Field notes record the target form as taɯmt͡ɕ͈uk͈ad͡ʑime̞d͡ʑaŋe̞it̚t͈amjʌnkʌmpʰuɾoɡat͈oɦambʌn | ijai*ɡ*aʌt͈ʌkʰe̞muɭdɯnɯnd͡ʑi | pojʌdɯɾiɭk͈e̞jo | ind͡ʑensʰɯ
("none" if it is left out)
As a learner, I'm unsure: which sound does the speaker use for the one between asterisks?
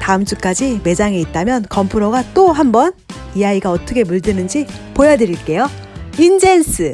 ɡ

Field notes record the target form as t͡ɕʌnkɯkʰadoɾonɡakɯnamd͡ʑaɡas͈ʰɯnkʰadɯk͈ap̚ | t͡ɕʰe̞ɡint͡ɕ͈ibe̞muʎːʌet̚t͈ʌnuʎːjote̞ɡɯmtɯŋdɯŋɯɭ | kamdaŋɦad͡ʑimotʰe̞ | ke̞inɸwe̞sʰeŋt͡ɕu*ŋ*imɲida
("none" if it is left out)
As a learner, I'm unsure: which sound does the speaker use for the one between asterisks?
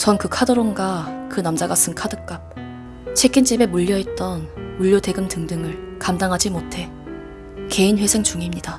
ŋ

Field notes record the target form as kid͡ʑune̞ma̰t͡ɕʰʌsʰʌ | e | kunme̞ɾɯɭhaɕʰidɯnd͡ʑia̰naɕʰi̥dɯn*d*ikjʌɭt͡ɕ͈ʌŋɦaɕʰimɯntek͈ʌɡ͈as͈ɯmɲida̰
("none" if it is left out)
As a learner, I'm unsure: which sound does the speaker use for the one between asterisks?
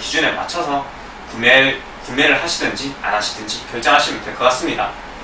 d͡ʑ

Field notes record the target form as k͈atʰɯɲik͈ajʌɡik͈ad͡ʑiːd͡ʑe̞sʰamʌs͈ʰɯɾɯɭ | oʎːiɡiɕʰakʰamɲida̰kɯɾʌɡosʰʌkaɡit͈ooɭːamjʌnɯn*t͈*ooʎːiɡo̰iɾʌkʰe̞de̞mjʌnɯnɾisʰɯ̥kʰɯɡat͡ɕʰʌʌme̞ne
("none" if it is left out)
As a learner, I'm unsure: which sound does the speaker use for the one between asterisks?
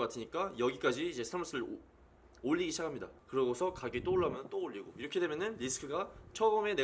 t͈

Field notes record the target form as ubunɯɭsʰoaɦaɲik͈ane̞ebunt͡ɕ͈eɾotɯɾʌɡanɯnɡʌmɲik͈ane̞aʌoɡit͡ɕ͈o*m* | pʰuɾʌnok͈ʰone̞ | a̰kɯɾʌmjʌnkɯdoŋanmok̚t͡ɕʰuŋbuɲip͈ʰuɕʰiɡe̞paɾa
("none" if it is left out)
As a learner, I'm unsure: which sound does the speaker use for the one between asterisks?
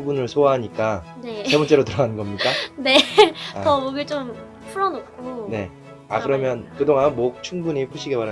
m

